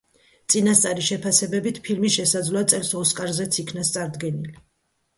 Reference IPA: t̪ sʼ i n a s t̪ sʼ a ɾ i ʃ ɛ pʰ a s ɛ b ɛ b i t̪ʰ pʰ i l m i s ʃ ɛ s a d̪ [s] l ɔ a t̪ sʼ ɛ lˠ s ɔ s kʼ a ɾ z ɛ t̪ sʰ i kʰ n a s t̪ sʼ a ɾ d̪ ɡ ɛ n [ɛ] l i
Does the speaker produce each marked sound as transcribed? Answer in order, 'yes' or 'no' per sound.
no, no

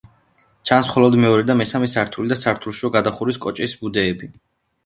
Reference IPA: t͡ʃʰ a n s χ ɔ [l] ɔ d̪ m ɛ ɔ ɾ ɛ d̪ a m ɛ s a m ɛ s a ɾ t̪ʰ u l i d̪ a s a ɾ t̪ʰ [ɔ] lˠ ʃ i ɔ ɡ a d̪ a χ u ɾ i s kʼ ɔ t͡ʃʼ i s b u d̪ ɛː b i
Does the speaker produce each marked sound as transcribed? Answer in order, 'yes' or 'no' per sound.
yes, no

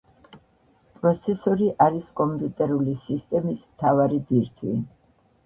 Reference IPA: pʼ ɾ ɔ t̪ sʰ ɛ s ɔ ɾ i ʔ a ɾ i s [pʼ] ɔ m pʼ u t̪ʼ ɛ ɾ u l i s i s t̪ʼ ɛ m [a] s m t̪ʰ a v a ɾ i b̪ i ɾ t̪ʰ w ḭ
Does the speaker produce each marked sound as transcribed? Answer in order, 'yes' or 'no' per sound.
no, no

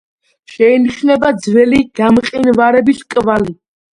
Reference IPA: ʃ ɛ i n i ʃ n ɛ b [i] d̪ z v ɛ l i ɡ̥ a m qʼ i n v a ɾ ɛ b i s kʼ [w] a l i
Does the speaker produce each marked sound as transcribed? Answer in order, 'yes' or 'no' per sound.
no, no

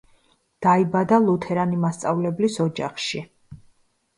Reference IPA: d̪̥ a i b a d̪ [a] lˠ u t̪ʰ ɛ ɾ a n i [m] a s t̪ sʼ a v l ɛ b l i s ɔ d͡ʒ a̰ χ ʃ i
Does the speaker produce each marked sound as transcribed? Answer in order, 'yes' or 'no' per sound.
yes, yes

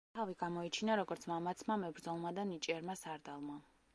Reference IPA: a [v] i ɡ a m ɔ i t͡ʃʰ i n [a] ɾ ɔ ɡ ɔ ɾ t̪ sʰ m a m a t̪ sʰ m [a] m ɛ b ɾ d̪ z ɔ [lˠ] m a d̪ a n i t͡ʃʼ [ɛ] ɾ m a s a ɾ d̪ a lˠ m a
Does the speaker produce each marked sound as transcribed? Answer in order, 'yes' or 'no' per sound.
yes, yes, yes, yes, yes

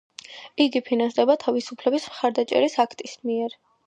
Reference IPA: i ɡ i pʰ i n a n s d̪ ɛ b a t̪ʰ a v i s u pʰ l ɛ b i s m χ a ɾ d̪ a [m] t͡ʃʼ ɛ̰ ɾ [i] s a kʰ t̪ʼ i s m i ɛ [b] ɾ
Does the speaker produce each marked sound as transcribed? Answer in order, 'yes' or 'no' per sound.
no, yes, no

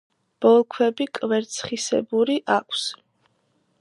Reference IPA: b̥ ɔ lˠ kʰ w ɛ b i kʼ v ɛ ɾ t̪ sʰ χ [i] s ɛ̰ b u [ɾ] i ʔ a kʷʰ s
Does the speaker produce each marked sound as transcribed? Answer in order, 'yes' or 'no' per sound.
yes, yes

